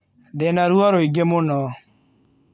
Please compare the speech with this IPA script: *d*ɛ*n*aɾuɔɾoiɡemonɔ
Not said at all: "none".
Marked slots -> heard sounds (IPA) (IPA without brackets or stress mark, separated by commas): d, n